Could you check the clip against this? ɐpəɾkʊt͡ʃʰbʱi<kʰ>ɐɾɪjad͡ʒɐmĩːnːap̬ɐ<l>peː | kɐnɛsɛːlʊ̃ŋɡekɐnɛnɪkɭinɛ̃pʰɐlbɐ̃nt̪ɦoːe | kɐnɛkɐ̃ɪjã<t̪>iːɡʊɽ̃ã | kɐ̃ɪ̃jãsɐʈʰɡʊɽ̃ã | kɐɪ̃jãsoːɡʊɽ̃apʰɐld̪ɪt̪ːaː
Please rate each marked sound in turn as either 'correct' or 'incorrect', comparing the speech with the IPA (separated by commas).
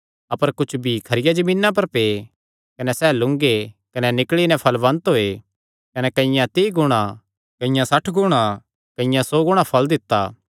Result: correct, incorrect, correct